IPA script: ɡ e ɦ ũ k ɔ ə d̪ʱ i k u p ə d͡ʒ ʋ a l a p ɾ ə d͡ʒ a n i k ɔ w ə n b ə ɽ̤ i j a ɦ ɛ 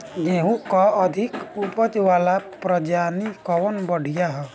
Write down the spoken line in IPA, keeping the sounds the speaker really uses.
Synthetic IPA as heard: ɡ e ɦ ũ k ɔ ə d̪ʱ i k u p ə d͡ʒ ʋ a l a p ɾ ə d͡ʒ a n i k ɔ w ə n b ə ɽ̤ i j a ɦ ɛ